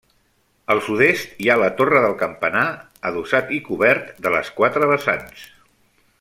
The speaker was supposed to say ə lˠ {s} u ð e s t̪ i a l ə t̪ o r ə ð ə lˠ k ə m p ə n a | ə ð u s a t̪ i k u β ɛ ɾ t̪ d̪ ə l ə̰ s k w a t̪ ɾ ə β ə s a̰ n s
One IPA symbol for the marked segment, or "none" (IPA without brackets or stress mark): s